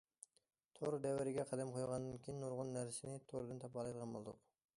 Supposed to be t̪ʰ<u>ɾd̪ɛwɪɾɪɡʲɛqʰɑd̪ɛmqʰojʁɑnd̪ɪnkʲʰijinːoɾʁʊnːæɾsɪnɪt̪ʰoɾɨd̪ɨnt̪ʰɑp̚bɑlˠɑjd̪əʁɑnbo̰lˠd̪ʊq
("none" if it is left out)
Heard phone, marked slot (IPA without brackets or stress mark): o